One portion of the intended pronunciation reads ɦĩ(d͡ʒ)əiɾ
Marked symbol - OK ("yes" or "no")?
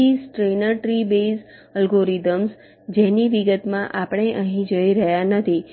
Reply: yes